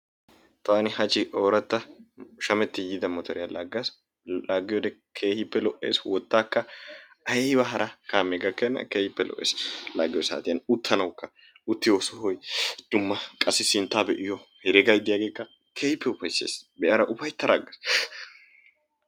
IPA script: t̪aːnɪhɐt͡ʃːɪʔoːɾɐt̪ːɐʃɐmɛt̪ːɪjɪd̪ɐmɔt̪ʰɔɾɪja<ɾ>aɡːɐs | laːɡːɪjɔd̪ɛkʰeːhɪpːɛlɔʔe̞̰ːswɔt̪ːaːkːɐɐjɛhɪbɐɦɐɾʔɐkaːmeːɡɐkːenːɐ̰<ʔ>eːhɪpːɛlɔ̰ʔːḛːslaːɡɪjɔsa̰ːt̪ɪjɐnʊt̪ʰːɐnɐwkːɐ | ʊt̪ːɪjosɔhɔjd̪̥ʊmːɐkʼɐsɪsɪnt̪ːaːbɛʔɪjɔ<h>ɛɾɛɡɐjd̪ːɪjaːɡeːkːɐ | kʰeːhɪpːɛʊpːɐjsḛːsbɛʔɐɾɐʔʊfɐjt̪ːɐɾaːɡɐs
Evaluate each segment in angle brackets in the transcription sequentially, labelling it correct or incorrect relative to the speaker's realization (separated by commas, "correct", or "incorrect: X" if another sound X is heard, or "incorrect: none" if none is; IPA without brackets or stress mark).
incorrect: l, incorrect: k, correct